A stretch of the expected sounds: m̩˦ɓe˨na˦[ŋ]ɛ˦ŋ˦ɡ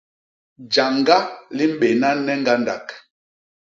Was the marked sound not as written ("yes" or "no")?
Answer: yes